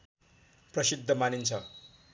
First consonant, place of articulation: labial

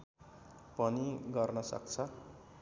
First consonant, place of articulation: labial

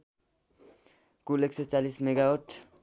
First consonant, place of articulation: velar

